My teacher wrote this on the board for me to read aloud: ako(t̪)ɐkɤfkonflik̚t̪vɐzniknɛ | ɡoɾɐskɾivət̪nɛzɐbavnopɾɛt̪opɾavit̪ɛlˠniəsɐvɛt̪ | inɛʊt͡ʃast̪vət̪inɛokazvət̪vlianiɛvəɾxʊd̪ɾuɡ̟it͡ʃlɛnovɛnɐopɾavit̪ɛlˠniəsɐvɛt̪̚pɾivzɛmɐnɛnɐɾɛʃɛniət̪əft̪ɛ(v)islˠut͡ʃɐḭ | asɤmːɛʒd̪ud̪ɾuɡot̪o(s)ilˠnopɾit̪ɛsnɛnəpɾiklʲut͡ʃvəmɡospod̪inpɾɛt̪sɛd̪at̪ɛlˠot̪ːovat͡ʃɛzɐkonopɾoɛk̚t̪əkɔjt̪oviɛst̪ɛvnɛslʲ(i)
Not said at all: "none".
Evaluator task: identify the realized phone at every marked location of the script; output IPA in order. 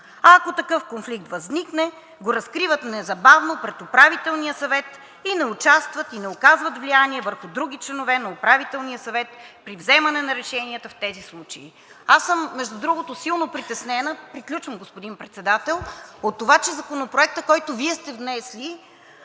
t̪, z, s, i

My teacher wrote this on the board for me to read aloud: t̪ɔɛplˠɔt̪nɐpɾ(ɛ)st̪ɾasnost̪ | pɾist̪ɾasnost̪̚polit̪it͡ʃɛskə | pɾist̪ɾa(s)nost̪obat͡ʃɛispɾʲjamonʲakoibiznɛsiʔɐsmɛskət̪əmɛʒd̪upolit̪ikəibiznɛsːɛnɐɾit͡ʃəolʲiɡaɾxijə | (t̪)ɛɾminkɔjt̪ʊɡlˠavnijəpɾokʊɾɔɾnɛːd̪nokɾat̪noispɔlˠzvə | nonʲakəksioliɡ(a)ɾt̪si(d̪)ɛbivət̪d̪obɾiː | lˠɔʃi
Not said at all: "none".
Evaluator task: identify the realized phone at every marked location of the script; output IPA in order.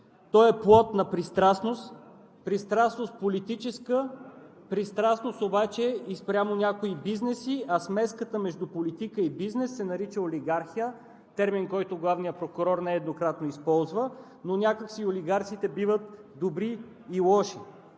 i, s, t̪, a, t̪

